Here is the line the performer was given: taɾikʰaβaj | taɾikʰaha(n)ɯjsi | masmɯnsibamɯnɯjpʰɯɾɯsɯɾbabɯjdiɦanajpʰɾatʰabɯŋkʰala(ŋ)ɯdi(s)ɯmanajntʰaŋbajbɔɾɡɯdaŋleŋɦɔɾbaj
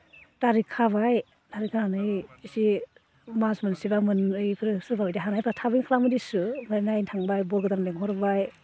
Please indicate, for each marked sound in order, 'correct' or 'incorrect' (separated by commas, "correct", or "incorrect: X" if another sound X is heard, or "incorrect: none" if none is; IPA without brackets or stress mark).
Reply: correct, incorrect: m, correct